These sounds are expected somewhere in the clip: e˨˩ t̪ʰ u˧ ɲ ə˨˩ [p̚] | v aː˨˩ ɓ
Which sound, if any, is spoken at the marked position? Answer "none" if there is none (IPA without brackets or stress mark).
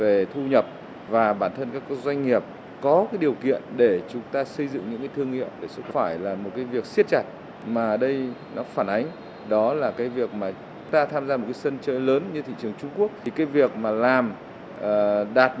p̚